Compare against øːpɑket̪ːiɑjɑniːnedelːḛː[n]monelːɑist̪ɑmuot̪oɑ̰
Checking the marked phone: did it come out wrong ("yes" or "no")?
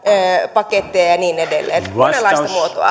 no